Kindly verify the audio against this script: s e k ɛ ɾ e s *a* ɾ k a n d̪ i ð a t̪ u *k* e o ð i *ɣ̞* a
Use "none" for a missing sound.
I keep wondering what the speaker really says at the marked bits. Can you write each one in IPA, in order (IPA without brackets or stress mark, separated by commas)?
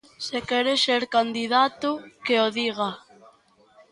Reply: e, k, ɣ̞